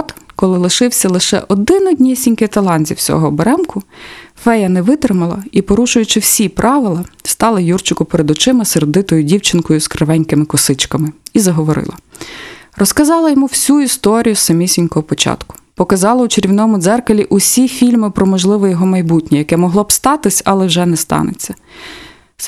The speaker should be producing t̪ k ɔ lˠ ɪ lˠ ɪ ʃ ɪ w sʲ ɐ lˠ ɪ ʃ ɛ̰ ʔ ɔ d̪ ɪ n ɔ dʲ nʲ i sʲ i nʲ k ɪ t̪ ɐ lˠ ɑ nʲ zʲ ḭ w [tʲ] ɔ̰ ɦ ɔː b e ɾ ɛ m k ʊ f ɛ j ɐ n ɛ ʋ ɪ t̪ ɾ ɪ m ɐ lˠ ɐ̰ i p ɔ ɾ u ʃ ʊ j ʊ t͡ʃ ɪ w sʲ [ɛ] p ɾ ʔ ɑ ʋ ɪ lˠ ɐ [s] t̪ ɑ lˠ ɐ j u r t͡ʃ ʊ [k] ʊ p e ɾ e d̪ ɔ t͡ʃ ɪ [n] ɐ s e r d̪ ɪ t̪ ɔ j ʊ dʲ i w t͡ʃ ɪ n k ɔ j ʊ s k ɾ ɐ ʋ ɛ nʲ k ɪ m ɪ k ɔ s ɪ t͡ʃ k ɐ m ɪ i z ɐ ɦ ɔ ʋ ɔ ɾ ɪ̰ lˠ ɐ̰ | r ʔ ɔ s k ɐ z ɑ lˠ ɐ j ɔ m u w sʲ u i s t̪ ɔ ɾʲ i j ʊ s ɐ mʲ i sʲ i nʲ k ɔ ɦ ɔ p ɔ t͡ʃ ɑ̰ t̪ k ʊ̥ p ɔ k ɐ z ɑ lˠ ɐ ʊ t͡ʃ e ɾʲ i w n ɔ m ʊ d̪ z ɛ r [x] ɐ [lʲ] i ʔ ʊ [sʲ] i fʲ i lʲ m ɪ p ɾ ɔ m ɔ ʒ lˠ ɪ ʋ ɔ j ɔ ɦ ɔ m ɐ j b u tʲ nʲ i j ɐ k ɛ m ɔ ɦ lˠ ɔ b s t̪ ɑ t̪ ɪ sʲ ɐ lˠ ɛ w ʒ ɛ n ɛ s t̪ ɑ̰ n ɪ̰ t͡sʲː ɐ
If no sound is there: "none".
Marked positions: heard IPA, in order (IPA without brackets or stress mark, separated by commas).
sʲ, i, s, k, m, k, lʲ, sʲ